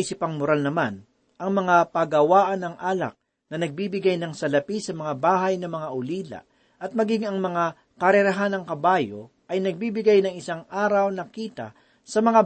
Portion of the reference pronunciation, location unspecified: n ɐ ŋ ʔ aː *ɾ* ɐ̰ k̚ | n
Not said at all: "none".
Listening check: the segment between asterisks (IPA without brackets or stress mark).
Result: l